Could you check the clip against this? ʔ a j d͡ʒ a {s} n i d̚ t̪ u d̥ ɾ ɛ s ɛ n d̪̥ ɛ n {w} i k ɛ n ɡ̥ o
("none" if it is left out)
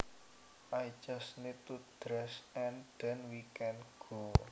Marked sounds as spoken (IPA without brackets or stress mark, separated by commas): s, w